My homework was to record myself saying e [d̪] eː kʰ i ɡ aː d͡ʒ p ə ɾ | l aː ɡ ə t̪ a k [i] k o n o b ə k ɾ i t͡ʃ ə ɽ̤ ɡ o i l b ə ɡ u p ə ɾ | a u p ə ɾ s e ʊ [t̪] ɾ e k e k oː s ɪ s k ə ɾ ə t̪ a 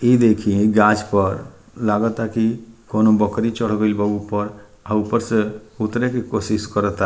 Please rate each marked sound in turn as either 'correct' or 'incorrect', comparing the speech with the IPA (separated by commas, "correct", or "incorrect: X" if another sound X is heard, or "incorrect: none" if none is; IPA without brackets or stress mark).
correct, correct, correct